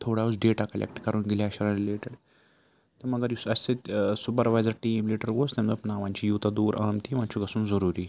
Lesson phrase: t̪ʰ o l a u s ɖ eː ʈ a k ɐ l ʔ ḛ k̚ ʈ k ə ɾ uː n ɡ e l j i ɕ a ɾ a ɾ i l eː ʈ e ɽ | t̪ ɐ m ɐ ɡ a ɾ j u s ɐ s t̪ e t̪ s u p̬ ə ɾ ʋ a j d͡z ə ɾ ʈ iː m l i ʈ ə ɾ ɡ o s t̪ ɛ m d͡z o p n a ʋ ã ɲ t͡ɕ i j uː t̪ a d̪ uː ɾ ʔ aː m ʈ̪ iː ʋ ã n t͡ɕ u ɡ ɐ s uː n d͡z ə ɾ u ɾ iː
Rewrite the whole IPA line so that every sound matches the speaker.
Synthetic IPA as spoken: t̪ʰ o ɽ a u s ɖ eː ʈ a k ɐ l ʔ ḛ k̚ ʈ k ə ɾ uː n ɡ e l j a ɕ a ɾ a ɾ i l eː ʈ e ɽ | t̪ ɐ m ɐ ɡ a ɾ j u s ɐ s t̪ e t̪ s u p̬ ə ɾ ʋ a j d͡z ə ɾ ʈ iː m l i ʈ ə ɾ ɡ o s t̪ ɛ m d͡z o p n a ʋ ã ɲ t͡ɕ i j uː t̪ a d̪ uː ɾ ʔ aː m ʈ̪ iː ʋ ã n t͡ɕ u ɡ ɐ s uː n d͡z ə ɾ u ɾ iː